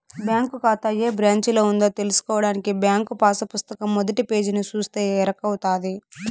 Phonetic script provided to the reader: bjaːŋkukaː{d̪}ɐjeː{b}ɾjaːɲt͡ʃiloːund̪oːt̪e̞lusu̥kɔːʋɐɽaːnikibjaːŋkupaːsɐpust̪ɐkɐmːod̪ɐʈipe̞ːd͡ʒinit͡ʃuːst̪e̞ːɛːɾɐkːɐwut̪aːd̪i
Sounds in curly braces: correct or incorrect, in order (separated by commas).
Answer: incorrect, correct